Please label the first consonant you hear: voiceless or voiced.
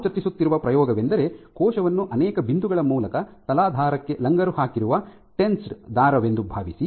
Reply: voiceless